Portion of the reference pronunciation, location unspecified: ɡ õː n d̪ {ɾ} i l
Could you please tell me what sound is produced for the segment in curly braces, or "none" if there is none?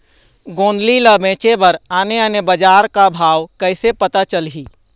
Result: l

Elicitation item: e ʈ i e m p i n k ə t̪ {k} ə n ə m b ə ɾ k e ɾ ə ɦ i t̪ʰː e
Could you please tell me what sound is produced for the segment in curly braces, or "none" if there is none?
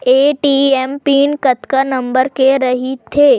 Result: k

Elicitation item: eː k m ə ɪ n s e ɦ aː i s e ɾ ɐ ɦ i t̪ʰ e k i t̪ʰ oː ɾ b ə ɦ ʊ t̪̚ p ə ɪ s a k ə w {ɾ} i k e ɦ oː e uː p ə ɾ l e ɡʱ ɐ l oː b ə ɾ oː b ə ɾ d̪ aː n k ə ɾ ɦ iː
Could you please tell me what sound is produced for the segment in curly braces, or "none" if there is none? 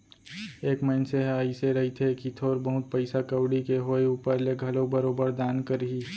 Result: ɽ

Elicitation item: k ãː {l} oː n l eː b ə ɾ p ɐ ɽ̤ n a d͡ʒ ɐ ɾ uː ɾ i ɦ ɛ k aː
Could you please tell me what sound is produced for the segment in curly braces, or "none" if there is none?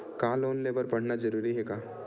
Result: l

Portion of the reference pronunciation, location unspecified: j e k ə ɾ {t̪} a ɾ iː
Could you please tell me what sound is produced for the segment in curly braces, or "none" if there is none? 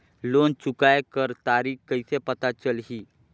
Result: t̪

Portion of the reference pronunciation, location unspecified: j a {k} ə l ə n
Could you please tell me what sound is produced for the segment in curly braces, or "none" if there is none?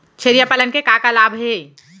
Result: p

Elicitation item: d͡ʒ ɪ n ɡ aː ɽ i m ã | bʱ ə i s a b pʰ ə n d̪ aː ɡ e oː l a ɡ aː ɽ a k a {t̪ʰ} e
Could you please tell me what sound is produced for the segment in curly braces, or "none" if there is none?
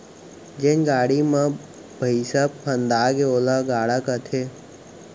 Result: t̪ʰ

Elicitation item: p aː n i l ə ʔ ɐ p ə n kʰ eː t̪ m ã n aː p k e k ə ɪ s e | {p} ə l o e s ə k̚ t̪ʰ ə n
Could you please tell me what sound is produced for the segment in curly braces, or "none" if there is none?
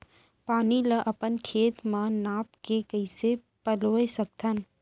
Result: p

